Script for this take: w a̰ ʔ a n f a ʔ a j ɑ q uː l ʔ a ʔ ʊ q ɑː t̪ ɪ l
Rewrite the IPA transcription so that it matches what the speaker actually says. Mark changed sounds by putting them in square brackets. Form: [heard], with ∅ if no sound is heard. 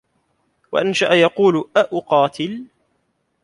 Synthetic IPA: w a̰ ʔ a n [ʃ] a ʔ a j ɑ q uː l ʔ a ʔ ʊ q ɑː t̪ ɪ l